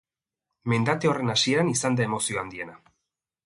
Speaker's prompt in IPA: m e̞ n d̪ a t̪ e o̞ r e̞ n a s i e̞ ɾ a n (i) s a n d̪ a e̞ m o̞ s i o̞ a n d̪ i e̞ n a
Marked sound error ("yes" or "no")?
no